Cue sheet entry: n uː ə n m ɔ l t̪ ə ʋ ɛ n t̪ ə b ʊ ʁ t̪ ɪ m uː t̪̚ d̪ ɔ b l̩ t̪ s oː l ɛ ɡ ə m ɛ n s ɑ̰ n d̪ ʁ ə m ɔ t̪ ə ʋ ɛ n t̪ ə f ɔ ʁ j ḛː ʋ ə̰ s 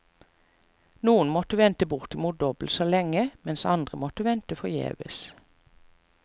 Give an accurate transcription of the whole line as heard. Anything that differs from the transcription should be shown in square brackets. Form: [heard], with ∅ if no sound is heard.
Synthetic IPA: n uː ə n m ɔ [∅] t̪ ə ʋ ɛ n t̪ ə b ʊ ʁ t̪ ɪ m uː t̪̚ d̪ ɔ b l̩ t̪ s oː l ɛ [ŋ] ə m ɛ n s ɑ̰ n d̪ ʁ ə m ɔ t̪ ə ʋ ɛ n t̪ ə f ɔ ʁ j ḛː ʋ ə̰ s